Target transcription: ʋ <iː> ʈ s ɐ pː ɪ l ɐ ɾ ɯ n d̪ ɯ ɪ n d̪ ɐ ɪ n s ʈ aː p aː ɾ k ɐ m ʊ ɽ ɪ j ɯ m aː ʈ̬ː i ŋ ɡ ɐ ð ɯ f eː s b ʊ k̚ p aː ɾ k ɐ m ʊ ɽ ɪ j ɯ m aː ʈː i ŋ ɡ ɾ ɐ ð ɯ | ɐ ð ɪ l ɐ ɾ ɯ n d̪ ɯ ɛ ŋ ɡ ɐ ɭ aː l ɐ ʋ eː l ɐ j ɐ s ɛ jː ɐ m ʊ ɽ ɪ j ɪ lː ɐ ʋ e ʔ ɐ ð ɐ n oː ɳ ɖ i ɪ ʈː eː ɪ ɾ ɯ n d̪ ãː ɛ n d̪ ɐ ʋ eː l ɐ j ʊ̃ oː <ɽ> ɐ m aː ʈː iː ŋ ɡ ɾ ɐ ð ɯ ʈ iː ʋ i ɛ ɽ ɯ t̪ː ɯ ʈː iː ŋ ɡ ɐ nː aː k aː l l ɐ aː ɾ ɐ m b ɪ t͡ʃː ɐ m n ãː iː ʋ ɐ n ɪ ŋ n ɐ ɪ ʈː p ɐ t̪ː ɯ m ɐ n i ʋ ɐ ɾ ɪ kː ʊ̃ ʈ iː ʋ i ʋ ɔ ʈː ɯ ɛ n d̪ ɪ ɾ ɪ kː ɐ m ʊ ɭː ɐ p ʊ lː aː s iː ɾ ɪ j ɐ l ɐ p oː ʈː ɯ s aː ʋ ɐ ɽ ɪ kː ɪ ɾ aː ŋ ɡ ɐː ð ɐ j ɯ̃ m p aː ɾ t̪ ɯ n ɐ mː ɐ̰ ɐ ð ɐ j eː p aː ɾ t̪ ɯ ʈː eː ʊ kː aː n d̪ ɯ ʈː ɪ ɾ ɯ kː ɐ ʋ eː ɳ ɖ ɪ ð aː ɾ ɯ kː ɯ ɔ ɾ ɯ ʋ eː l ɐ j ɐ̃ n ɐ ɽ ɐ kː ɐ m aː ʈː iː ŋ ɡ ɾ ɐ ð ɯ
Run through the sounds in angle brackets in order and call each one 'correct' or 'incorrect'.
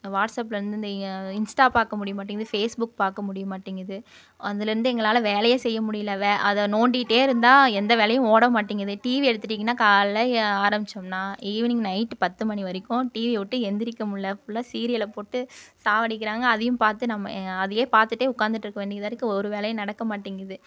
incorrect, correct

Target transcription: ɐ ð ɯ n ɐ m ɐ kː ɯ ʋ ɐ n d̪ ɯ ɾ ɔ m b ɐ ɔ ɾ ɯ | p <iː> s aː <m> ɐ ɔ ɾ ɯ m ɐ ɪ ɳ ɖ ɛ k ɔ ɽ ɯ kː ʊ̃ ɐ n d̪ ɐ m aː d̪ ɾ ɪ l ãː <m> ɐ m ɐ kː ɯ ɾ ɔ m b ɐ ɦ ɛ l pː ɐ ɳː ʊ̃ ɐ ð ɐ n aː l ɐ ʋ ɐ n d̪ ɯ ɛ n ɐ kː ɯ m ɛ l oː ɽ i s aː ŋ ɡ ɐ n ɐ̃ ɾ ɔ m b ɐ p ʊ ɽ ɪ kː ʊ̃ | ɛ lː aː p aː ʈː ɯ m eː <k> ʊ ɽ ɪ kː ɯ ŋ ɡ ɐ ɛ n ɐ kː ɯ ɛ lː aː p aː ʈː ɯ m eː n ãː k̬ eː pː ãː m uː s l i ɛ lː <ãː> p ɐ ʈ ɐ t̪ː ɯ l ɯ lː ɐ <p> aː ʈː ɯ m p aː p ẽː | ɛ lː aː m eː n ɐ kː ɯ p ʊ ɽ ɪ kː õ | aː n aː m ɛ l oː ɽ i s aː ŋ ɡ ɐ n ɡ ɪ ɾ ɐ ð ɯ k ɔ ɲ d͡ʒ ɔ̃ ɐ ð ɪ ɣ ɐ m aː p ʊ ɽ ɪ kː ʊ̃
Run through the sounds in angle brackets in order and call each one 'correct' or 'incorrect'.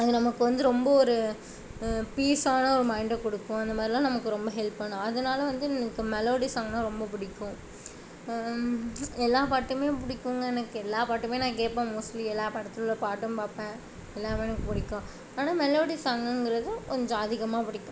correct, incorrect, incorrect, incorrect, incorrect, correct

